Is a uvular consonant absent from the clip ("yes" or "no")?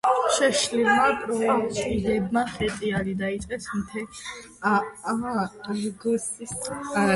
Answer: no